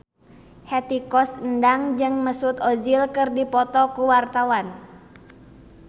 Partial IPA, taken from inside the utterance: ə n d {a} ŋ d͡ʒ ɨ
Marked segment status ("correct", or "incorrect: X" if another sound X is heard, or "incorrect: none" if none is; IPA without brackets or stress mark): correct